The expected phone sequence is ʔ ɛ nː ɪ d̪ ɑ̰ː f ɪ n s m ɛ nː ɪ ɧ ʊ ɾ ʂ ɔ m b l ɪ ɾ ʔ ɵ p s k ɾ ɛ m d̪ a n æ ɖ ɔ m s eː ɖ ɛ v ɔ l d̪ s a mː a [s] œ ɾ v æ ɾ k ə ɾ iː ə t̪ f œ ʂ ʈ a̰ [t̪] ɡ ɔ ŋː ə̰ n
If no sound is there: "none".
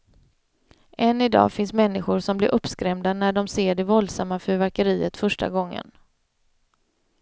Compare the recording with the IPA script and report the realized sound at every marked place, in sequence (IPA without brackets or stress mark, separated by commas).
f, none